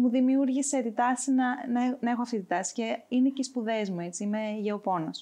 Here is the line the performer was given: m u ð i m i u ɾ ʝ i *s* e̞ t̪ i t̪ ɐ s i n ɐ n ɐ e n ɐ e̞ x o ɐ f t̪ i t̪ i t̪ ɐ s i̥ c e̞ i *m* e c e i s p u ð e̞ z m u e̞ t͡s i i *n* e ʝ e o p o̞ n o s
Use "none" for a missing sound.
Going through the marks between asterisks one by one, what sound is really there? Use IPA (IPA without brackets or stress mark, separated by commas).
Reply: s, n, m